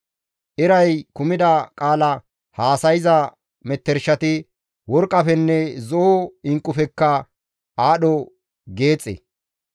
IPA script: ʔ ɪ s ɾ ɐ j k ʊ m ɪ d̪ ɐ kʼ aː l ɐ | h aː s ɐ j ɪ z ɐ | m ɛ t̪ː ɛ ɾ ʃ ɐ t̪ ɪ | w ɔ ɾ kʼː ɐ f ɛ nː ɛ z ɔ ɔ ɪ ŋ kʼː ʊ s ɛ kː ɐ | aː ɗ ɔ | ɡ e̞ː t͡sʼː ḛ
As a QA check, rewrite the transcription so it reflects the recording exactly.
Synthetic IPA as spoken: ʔ ɪ ɾ ɐ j k ʊ m ɪ d̪ ɐ kʼ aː l ɐ | h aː s ɐ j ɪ z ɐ | m ɛ t̪ː ɛ ɾ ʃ ɐ t̪ ɪ | w ɔ ɾ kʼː ɐ f ɛ nː ɛ z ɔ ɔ ɪ ŋ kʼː ʊ f ɛ kː ɐ | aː ɗ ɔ | ɡ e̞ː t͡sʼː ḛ

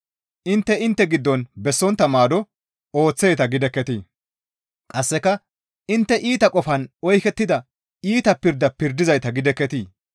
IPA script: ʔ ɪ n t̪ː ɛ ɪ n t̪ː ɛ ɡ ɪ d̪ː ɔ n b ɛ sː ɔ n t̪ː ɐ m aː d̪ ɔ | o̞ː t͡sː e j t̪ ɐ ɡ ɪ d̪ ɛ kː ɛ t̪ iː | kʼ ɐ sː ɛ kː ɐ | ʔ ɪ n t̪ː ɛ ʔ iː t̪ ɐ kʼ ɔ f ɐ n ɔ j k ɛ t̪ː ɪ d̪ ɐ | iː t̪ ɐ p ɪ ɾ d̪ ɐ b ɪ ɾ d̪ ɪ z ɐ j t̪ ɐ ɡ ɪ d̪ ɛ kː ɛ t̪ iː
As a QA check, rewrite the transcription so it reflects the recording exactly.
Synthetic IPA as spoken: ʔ ɪ n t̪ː ɛ ɪ n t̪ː ɛ ɡ ɪ d̪ː ɔ n b ɛ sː ɔ n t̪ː ɐ m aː d̪ ɔ | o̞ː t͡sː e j t̪ ɐ ɡ ɪ d̪ ɛ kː ɛ t̪ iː | kʼ ɐ sː ɛ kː ɐ | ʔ ɪ n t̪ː ɛ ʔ iː t̪ ɐ kʼ ɔ f ɐ n ɔ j k ɛ t̪ː ɪ d̪ ɐ | iː t̪ ɐ p ɪ ɾ d̪ ɐ p ɪ ɾ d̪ ɪ z ɐ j t̪ ɐ ɡ ɪ d̪ ɛ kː ɛ t̪ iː

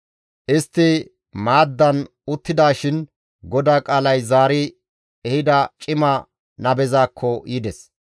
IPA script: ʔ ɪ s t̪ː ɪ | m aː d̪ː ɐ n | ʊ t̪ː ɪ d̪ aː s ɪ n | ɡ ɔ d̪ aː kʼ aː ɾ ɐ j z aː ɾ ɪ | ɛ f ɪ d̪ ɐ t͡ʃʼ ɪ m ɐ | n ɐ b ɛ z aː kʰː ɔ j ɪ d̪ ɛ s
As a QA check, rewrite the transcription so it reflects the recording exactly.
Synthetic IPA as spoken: ʔ ɪ s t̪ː ɪ | m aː d̪ː ɐ n | ʊ t̪ː ɪ d̪ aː ʃ ɪ n | ɡ ɔ d̪ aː kʼ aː l ɐ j z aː ɾ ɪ | ɛ h ɪ d̪ ɐ t͡ʃʼ ɪ m ɐ | n ɐ b ɛ z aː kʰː ɔ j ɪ d̪ ɛ s

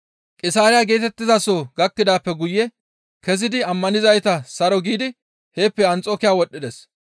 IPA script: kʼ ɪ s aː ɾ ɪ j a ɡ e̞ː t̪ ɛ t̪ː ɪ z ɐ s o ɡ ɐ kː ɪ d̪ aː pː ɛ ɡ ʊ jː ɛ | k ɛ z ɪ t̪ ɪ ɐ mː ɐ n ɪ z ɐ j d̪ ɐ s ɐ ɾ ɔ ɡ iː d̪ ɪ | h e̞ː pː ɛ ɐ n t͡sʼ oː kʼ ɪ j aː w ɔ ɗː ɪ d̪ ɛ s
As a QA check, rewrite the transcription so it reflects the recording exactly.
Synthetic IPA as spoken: kʼ ɪ s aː ɾ ɪ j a ɡ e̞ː t̪ ɛ t̪ː ɪ z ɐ s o ɡ ɐ kː ɪ d̪ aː pː ɛ ɡ ʊ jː ɛ | k ɛ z ɪ d̪ ɪ ɐ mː ɐ n ɪ z ɐ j t̪ ɐ s ɐ ɾ ɔ ɡ iː d̪ ɪ | h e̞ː pː ɛ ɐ n t͡sʼ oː k ɪ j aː w ɔ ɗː ɪ d̪ ɛ s

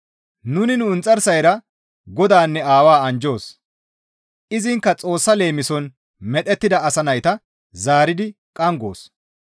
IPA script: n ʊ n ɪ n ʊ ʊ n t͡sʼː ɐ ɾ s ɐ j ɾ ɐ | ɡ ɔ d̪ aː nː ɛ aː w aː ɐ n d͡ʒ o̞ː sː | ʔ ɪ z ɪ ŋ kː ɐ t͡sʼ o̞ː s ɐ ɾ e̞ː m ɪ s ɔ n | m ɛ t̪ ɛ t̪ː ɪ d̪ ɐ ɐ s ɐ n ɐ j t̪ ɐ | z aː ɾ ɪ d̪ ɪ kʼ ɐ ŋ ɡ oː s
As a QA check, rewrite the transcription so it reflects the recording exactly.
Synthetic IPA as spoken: n ʊ n ɪ n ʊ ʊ n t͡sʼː ɐ ɾ s ɐ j ɾ ɐ | ɡ ɔ d̪ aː nː ɛ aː w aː ɐ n d͡ʒ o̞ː s | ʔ ɪ z ɪ ŋ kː ɐ t͡sʼ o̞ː sː ɐ l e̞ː m ɪ s ɔ n | m ɛ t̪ ɛ t̪ː ɪ d̪ ɐ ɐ s ɐ n ɐ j t̪ ɐ | z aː ɾ ɪ d̪ ɪ kʼ ɐ ŋ ɡ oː s

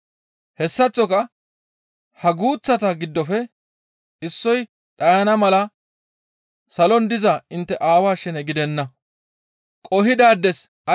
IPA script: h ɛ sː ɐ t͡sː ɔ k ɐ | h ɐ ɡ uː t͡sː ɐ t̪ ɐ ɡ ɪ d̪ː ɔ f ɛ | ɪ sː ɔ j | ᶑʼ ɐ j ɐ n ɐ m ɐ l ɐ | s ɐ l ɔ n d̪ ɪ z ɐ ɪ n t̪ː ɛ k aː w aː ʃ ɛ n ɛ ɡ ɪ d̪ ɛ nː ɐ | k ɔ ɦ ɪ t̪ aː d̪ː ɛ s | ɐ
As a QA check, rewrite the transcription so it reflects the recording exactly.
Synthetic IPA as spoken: h ɛ sː ɐ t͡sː ɔ k ɐ | h ɐ ɡ uː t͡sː ɐ t̪ ɐ ɡ ɪ d̪ː ɔ f ɛ | ɪ sː ɔ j | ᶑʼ ɐ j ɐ n ɐ m ɐ l ɐ | s ɐ l ɔ n d̪ ɪ z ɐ ɪ n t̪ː ɛ ʔ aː w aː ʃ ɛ n ɛ ɡ ɪ d̪ ɛ nː ɐ | kʼ ɔ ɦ ɪ d̪ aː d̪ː ɛ s | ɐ

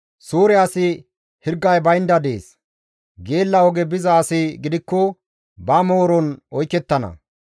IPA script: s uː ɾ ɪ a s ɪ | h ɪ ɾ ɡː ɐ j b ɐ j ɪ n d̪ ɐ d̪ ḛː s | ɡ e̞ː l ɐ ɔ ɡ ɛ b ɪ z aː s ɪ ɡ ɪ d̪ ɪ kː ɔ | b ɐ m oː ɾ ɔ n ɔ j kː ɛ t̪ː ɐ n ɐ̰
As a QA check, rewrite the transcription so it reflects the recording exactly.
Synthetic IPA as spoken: s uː ɾ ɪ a s ɪ | h ɪ ɾ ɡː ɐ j b ɐ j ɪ n d̪ ɐ d̪ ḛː s | ɡ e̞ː lː ɐ ɔ ɡ ɛ b ɪ z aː s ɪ ɡ ɪ d̪ ɪ kː ɔ | b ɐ m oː ɾ ɔ n ɔ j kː ɛ t̪ː ɐ n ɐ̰

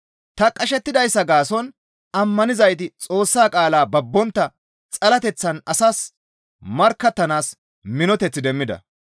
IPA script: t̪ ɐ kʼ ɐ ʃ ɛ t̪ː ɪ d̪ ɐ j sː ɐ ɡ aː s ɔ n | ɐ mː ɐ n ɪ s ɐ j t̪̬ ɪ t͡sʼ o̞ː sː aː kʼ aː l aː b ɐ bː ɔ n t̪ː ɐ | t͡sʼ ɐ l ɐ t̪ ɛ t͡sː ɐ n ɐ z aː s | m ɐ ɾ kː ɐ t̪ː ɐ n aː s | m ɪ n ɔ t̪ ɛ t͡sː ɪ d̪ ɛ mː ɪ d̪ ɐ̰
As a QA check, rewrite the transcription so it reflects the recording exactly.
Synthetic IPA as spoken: t̪ ɐ kʼ ɐ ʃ ɛ t̪ː ɪ d̪ ɐ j sː ɐ ɡ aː s ɔ n | ɐ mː ɐ n ɪ z ɐ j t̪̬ ɪ t͡sʼ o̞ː sː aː kʼ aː l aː b ɐ bː ɔ n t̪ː ɐ | t͡sʼ ɐ l ɐ t̪ ɛ t͡sː ɐ n ɐ s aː s | m ɐ ɾ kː ɐ t̪ː ɐ n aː s | m ɪ n ɔ t̪ ɛ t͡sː ɪ d̪ ɛ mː ɪ d̪ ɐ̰

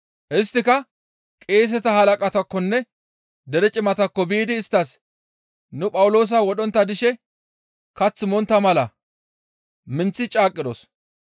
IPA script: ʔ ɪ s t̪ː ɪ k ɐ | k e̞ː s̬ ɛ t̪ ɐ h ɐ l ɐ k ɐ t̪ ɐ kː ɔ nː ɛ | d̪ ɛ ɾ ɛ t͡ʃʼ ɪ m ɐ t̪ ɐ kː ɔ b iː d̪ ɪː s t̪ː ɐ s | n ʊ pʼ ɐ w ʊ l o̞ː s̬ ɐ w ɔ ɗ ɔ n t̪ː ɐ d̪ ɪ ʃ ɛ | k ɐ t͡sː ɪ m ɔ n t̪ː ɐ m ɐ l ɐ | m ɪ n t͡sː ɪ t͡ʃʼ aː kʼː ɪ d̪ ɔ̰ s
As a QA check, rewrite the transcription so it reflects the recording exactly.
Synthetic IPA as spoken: ʔ ɪ s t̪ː ɪ k ɐ | kʼ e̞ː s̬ ɛ t̪ ɐ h ɐ l ɐ kʼ ɐ t̪ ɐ kː ɔ nː ɛ | d̪ ɛ ɾ ɛ t͡ʃʼ ɪ m ɐ t̪ ɐ kː ɔ b iː d̪ ɪː s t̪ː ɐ s | n ʊ pʼ ɐ w ʊ l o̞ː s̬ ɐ w ɔ ɗ ɔ n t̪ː ɐ d̪ ɪ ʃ ɛ | k ɐ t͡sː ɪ m ɔ n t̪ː ɐ m ɐ l ɐ | m ɪ n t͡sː ɪ t͡ʃʼ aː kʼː ɪ d̪ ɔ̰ s

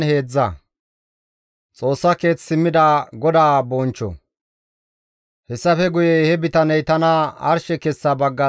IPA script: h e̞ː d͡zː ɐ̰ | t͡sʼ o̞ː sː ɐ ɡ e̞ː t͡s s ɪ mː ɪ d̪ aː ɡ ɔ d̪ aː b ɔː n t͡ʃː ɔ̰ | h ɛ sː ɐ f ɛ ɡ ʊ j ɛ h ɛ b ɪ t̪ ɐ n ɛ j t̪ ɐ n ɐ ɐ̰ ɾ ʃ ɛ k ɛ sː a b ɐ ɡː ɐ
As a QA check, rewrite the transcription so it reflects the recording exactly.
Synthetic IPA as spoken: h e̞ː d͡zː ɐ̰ | t͡sʼ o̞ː sː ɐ k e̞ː t͡s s ɪ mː ɪ d̪ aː ɡ ɔ d̪ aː b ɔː n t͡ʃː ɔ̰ | h ɛ sː ɐ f ɛ ɡ ʊ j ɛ h ɛ b ɪ t̪ ɐ n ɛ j t̪ ɐ n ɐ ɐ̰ ɾ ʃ ɛ k ɛ sː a b ɐ ɡː ɐ

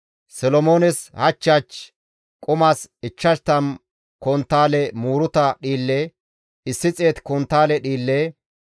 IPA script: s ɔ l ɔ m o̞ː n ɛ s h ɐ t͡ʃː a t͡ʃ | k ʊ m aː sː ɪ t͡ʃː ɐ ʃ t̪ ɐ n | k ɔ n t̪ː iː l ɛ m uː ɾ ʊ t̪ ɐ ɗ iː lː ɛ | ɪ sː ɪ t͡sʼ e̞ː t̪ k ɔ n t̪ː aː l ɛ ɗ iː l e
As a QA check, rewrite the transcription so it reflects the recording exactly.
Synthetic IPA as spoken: s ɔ l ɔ m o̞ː n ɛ s h ɐ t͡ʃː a t͡ʃ | kʼ ʊ m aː s ɪ t͡ʃː ɐ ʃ t̪ ɐ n | k ɔ n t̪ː aː l ɛ m uː ɾ ʊ t̪ ɐ ɗ iː lː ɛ | ɪ sː ɪ t͡sʼ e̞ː t̪ k ɔ n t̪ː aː l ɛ ɗ iː lː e

